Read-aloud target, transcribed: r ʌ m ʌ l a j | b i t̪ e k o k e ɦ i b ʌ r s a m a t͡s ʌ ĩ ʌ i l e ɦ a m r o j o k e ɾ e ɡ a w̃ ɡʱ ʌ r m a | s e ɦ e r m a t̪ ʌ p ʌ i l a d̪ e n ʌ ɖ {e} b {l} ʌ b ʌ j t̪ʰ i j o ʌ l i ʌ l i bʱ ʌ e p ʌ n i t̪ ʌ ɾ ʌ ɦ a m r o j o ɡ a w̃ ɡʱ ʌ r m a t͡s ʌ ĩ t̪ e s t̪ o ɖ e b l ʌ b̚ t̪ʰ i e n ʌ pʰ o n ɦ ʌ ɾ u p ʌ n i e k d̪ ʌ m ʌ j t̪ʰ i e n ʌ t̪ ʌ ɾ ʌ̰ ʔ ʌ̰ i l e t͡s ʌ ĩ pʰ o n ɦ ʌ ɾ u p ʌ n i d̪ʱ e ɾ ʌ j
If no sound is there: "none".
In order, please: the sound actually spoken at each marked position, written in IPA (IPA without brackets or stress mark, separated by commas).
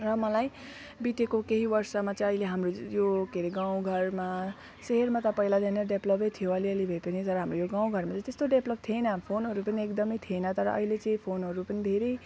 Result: e, l